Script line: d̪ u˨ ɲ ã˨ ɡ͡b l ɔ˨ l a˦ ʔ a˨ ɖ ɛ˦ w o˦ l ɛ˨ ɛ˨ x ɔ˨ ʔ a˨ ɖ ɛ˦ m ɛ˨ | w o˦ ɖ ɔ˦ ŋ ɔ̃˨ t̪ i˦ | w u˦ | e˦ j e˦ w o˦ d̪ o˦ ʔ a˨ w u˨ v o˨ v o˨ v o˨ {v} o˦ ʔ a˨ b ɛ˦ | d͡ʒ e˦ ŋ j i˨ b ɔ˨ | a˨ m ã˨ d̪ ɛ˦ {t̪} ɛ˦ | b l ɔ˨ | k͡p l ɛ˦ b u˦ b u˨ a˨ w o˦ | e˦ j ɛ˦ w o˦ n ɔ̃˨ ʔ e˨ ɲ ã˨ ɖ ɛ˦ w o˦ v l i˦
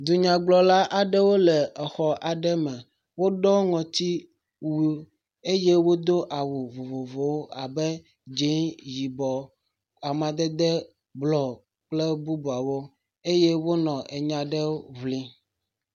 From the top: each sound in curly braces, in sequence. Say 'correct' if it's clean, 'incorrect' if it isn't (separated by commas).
incorrect, incorrect